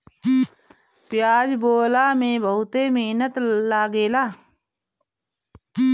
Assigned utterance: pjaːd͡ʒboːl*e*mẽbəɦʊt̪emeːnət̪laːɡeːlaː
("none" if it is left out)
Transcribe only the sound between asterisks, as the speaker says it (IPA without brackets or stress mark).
a